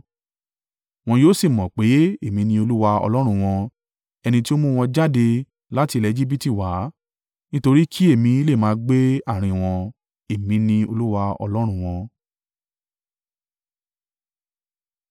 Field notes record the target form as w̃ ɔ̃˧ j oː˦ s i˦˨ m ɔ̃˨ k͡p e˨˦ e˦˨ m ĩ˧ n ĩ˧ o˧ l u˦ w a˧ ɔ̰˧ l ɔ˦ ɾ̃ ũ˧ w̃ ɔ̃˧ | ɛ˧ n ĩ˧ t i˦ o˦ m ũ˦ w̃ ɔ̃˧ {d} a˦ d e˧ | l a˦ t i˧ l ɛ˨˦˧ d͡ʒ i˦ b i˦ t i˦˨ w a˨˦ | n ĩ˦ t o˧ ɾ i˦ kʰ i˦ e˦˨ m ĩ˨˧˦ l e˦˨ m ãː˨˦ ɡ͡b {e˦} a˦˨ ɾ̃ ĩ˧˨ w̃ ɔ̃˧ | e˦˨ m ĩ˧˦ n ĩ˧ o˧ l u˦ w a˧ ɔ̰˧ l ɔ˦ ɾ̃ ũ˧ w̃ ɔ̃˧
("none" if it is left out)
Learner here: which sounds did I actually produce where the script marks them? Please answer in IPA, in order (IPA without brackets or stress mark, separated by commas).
d͡ʒ, e˦